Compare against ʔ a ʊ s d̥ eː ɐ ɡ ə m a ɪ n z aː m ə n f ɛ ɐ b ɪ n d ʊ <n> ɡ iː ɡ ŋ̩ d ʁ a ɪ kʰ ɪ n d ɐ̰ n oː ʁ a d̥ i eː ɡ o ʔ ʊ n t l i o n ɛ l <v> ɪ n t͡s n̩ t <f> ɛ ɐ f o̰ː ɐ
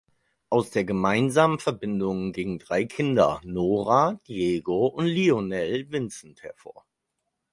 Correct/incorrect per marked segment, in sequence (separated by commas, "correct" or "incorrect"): incorrect, correct, incorrect